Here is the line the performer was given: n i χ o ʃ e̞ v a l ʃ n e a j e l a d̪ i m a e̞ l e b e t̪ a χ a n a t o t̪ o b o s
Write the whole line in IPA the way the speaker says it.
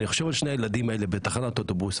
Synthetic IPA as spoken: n i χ o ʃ e̞ v a l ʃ n e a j e l a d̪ i m a e̞ l e b e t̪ a χ a n a t o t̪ o b u s